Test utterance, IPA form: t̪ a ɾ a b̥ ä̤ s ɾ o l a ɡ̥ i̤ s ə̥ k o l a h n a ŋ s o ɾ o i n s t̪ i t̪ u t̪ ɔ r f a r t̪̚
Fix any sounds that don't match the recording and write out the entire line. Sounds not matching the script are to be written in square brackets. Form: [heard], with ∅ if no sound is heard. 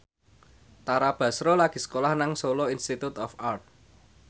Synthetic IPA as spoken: t̪ a ɾ a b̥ ä̤ s ɾ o l a ɡ̥ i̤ s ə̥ k o l a h n a ŋ s o [l] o i n s t̪ i t̪ u t̪ ɔ [∅] f a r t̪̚